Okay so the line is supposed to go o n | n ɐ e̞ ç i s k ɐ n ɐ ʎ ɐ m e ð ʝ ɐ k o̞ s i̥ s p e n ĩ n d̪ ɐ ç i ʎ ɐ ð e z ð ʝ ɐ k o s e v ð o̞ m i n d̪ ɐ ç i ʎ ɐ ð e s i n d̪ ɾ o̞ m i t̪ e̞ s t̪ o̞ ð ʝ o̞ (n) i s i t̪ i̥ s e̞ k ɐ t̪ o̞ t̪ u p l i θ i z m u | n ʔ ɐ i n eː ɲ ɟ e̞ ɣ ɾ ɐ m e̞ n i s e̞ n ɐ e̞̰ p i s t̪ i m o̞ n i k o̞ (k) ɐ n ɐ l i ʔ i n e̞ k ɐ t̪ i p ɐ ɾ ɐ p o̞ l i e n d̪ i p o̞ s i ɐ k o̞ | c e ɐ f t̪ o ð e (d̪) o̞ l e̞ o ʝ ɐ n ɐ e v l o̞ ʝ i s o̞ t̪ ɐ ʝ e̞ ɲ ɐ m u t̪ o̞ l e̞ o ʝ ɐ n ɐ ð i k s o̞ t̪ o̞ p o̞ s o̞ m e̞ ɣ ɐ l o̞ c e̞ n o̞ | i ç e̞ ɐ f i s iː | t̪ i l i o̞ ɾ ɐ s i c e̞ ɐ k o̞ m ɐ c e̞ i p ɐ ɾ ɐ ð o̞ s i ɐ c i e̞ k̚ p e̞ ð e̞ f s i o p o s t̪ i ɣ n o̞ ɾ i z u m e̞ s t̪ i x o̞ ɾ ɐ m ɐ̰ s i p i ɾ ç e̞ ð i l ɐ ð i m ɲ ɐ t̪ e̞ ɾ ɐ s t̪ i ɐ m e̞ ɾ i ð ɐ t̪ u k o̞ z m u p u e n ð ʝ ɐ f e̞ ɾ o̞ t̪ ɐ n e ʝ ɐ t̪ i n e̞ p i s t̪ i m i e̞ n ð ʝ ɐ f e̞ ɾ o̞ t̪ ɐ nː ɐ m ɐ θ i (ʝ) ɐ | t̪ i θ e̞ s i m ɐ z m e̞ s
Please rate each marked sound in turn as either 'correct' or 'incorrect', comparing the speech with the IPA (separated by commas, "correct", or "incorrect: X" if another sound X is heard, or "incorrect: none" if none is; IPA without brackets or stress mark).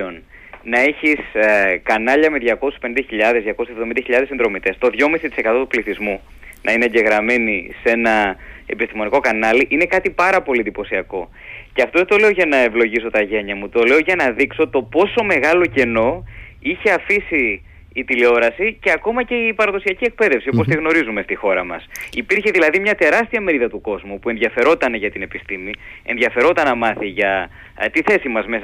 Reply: incorrect: m, correct, incorrect: t̪, correct